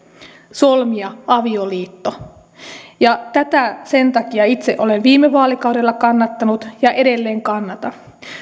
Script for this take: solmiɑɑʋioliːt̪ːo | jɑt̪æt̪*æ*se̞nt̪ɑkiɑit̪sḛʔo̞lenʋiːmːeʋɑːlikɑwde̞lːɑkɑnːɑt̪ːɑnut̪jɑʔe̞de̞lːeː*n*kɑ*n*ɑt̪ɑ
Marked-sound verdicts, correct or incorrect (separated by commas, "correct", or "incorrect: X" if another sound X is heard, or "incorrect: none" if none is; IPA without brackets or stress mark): correct, incorrect: ŋ, incorrect: nː